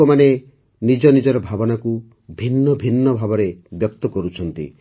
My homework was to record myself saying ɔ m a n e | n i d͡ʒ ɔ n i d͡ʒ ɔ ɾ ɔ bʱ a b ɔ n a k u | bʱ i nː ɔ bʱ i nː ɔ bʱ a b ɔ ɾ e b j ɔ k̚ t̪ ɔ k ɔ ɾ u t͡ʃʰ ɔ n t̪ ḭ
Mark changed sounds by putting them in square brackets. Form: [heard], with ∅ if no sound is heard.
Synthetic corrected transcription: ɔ m a n e | n i d͡ʒ ɔ n i d͡ʒ ɔ ɾ ɔ bʱ a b ɔ n a k u | bʱ i nː ɔ bʱ i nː ɔ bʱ a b ɔ ɾ e b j ɔ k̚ t̪ ɔ k ɔ ɾ u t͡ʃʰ ɔ n t̪ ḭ